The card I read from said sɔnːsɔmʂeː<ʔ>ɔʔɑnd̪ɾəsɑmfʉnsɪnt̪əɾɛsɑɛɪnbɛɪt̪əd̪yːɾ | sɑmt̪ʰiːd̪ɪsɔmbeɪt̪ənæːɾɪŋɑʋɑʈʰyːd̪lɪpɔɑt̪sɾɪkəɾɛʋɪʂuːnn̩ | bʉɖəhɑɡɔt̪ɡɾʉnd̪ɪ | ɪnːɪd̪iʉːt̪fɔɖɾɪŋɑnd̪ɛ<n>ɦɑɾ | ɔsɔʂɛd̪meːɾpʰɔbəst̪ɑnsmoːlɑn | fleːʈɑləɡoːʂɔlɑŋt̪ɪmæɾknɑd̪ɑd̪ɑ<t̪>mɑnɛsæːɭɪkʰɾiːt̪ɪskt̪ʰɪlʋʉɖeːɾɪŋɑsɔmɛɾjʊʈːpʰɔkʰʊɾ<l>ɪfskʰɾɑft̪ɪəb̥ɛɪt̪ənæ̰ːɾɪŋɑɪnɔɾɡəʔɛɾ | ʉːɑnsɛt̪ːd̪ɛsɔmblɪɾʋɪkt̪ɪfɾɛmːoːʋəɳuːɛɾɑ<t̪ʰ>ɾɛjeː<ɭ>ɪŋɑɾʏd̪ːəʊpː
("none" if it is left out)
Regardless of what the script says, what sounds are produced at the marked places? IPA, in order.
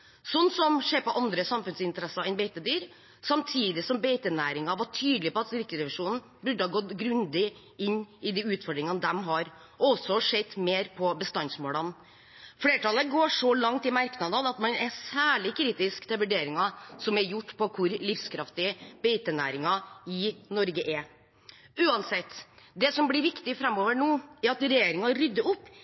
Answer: p, m, t̪, l, t̪, ɾ

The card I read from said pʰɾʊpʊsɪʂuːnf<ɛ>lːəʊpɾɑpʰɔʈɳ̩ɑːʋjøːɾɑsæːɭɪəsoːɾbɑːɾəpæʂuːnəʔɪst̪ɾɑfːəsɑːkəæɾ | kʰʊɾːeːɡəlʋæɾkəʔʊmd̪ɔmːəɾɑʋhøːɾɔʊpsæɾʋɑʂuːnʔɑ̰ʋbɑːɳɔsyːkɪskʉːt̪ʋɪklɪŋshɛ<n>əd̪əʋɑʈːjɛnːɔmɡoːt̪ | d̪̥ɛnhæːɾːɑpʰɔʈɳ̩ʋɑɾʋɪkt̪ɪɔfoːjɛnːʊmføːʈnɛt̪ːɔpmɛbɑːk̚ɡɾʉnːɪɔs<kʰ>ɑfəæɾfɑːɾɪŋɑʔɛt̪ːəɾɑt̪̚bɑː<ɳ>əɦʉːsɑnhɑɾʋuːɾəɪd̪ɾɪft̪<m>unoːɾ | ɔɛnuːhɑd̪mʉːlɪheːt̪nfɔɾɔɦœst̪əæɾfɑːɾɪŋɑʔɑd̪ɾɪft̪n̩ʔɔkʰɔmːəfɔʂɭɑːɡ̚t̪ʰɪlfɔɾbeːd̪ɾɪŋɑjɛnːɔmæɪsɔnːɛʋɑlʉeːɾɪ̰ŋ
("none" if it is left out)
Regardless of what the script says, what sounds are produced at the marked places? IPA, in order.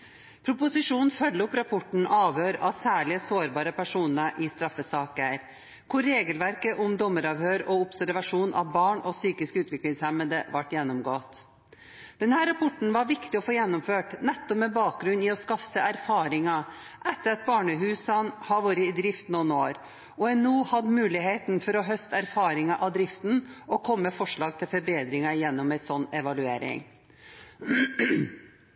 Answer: œ, m, k, ɳ, n

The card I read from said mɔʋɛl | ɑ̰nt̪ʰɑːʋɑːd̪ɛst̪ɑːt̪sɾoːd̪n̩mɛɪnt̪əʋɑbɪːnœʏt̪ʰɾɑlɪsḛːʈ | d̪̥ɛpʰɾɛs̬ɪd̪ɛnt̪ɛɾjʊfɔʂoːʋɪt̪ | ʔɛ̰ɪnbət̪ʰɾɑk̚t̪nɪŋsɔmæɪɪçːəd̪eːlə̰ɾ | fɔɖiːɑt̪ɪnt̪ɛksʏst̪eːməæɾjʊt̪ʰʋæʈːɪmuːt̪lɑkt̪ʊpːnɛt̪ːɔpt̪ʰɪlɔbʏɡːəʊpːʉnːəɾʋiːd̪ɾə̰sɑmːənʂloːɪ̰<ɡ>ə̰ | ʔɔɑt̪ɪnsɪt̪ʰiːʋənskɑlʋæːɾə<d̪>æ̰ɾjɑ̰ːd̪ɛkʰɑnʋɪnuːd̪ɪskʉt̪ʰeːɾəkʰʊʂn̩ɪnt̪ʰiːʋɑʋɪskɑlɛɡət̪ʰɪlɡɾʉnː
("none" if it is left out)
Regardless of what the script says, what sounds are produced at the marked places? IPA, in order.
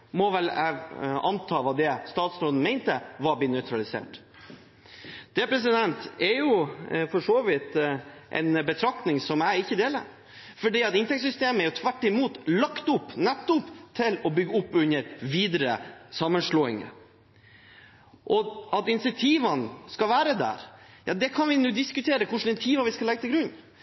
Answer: ŋ, d̪

